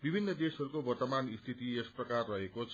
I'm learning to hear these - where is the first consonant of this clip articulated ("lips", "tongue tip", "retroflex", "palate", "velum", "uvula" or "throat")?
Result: lips